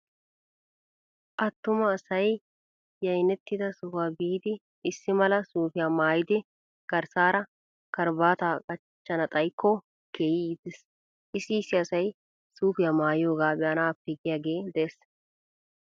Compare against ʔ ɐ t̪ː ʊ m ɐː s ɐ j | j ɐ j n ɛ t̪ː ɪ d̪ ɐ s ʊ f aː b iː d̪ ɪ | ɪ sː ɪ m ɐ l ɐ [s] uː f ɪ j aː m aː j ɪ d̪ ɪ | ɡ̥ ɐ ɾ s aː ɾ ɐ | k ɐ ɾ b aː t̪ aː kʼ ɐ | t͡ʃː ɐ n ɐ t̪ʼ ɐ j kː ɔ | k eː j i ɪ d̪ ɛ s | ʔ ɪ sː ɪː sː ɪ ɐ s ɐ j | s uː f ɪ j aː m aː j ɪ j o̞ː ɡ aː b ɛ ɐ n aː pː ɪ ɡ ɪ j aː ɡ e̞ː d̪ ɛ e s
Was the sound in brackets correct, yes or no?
yes